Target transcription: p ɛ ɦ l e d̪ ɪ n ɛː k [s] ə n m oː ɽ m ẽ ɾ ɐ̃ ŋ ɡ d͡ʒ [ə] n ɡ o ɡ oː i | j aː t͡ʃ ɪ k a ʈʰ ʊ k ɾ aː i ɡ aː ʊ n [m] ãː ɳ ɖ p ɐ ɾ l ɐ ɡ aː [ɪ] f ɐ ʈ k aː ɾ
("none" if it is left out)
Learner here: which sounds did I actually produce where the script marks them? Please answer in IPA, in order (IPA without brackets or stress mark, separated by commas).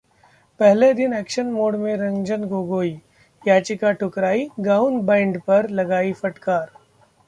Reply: ʃ, ə, b, i